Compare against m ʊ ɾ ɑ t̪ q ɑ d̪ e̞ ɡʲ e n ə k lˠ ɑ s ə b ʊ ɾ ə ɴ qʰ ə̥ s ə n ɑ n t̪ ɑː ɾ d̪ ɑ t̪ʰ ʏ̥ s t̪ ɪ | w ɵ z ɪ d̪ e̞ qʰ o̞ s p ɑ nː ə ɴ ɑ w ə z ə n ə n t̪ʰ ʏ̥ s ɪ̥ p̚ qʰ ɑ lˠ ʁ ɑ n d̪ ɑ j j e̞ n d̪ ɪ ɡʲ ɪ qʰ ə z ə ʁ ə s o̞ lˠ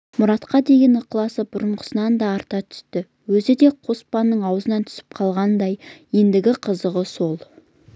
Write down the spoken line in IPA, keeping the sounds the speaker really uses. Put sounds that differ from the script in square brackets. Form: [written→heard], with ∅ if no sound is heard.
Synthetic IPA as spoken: m ʊ ɾ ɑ t̪ q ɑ d̪ e̞ ɡʲ e n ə [k→q] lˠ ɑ s ə b ʊ ɾ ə ɴ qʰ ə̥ s ə n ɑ n [t̪→d̪] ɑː ɾ [d̪→t̪] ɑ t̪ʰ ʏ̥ s t̪ ɪ | w ɵ z ɪ d̪ e̞ qʰ o̞ s p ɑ nː ə ɴ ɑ w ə z ə n [ə→ɑ] n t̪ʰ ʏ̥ s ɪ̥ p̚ qʰ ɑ lˠ ʁ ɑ n d̪ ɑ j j e̞ n d̪ ɪ ɡʲ ɪ qʰ ə z ə ʁ ə s o̞ lˠ

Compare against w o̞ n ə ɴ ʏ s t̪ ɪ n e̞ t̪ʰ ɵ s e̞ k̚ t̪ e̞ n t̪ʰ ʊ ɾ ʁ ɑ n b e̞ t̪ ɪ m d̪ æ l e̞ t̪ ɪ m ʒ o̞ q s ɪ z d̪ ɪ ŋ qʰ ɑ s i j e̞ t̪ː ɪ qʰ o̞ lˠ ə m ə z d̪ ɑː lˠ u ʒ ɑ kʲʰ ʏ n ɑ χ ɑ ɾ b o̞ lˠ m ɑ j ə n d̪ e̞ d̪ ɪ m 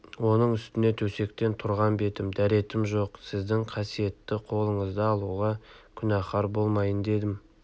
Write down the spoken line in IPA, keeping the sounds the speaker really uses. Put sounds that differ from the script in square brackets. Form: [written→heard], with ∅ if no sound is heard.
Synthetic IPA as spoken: w o̞ n ə ɴ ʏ s t̪ ɪ n e̞ t̪ʰ ɵ s e̞ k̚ t̪ e̞ n t̪ʰ ʊ ɾ ʁ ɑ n b e̞ t̪ ɪ m d̪ æ [l→ɾ] e̞ t̪ ɪ m ʒ o̞ q s ɪ z d̪ ɪ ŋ qʰ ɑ s i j e̞ t̪ː ɪ qʰ o̞ lˠ ə [m→ɴ] ə z d̪ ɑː lˠ u [ʒ→ʁ] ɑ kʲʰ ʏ n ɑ χ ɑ ɾ b o̞ lˠ m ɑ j ə n d̪ e̞ d̪ ɪ m

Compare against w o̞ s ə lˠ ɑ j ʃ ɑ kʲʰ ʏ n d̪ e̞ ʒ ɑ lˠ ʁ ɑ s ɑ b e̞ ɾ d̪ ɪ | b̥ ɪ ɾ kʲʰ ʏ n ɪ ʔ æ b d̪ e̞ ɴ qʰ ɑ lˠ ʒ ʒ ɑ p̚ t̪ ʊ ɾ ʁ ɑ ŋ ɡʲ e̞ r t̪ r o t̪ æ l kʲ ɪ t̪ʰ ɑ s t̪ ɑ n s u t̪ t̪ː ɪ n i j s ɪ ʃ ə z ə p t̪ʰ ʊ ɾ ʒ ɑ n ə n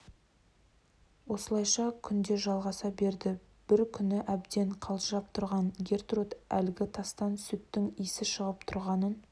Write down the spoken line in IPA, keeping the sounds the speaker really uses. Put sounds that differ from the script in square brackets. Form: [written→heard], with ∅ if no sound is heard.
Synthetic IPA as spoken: w o̞ s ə lˠ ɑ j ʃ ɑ kʲʰ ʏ n d̪ e̞ ʒ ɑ lˠ ʁ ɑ s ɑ b e̞ ɾ d̪ ɪ | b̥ ɪ ɾ kʲʰ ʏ n ɪ ʔ æ b d̪ e̞ ɴ qʰ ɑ lˠ ʒ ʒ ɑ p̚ [t̪→t̪ʰ] ʊ ɾ ʁ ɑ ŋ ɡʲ e̞ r t̪ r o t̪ æ l [kʲ→ɡʲ] ɪ t̪ʰ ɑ s t̪ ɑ n s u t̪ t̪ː ɪ [n→ŋ] i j s ɪ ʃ ə [z→ʁ] ə p t̪ʰ ʊ ɾ [ʒ→ʁ] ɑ n ə n

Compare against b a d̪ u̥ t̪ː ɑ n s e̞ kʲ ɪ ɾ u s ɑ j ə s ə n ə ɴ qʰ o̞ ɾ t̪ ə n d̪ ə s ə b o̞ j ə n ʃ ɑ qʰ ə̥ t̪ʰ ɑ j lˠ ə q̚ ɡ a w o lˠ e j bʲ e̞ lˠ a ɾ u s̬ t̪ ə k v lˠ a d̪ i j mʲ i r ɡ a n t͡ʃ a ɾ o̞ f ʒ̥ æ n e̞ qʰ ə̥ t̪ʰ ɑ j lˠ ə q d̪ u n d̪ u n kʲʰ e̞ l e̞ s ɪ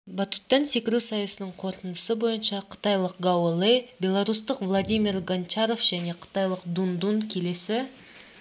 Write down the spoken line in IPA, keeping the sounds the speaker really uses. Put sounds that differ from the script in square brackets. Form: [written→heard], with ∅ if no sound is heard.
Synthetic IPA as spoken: b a [d̪→t̪] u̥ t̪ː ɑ n s e̞ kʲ ɪ ɾ u s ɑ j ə s ə n ə ɴ qʰ o̞ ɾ t̪ ə n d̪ ə s ə b o̞ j ə n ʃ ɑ qʰ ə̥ [t̪ʰ→t̪] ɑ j lˠ ə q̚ ɡ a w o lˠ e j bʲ e̞ lˠ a ɾ u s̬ t̪ ə [k→q] v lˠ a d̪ i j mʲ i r ɡ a n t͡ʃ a ɾ o̞ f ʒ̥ æ n e̞ qʰ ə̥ [t̪ʰ→t̪] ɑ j lˠ ə q d̪ u n d̪ u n kʲʰ e̞ l e̞ s ɪ

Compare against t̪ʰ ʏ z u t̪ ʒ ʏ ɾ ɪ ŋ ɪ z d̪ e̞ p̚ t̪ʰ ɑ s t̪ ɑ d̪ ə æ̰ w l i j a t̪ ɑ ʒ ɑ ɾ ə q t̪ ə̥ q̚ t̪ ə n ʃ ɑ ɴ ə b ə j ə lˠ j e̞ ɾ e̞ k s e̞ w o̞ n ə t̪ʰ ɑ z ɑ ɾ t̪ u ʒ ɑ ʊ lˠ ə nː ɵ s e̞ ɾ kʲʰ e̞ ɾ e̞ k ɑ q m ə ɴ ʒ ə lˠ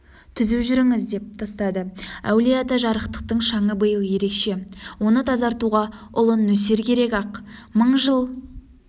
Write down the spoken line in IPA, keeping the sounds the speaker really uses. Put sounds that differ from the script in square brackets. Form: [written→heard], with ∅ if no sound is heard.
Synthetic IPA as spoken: t̪ʰ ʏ z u [t̪→∅] ʒ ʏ ɾ ɪ ŋ ɪ z d̪ e̞ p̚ t̪ʰ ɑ s t̪ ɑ d̪ ə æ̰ w l i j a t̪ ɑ ʒ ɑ ɾ ə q t̪ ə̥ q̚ t̪ ə [n→ɴ] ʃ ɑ ɴ ə b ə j ə lˠ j e̞ ɾ e̞ k [s→ʃ] e̞ w o̞ n ə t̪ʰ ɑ z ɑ ɾ t̪ u [ʒ→ʁ] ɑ ʊ lˠ ə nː ɵ s e̞ ɾ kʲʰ e̞ ɾ e̞ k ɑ q m ə ɴ ʒ ə lˠ

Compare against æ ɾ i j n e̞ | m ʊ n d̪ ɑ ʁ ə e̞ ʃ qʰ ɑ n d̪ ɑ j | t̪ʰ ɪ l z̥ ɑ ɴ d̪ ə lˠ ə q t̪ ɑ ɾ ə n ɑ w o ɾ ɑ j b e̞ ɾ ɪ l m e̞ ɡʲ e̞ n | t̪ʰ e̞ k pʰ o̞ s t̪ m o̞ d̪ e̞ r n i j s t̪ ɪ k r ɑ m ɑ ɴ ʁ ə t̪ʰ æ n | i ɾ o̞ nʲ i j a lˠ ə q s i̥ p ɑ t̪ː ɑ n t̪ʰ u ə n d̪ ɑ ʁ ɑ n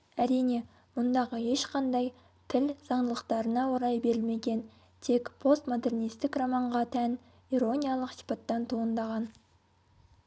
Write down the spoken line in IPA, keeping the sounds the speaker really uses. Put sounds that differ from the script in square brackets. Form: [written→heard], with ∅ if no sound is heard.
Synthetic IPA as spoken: æ ɾ i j n e̞ | m ʊ n d̪ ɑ ʁ ə e̞ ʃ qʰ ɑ n d̪ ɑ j | t̪ʰ ɪ l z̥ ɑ ɴ d̪ ə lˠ ə q t̪ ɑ ɾ ə n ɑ w o ɾ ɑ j b e̞ ɾ ɪ l m e̞ ɡʲ e̞ n | t̪ʰ e̞ k pʰ o̞ s t̪ m o̞ d̪ e̞ r n i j s t̪ ɪ k r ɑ m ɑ ɴ ʁ [ə→ɑ] t̪ʰ æ n | i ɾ o̞ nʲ i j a lˠ ə q s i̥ p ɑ t̪ː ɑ n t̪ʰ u ə n d̪ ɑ ʁ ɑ n

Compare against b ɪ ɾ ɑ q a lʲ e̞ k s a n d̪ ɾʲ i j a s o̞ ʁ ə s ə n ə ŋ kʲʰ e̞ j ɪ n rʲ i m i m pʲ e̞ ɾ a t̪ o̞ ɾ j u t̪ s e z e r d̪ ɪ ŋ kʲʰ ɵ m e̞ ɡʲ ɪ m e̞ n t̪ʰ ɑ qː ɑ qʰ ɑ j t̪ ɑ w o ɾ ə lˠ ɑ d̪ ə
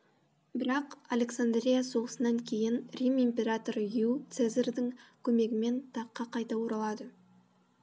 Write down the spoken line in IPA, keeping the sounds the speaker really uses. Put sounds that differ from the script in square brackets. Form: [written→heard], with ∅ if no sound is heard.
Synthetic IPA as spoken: b ɪ ɾ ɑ q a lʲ e̞ k s a n d̪ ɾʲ i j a s o̞ ʁ ə s ə n [ə→ɑ] ŋ kʲʰ e̞ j ɪ n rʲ i m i m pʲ e̞ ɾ a t̪ o̞ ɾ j u t̪ s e z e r d̪ ɪ ŋ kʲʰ ɵ m e̞ ɡʲ ɪ m e̞ n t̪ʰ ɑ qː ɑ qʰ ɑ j t̪ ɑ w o ɾ [ə→ɑ] lˠ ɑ d̪ ə

